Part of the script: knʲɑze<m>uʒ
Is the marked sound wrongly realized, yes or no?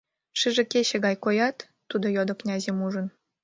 no